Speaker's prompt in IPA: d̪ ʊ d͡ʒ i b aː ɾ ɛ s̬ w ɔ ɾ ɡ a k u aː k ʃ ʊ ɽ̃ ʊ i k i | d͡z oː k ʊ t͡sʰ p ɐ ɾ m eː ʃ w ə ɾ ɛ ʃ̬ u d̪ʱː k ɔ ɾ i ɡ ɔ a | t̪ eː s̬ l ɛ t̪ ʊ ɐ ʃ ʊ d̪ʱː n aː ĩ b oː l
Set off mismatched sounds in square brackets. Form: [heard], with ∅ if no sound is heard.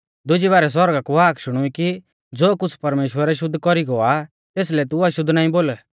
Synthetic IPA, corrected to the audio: d̪ ʊ d͡ʒ i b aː ɾ ɛ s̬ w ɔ ɾ ɡ a k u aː k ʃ ʊ ɽ̃ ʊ i k i | d͡z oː k ʊ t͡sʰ p ɐ ɾ m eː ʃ w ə ɾ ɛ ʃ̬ [ʊ] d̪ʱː k ɔ ɾ i ɡ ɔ a | t̪ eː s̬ l ɛ t̪ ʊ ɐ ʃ ʊ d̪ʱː n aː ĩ b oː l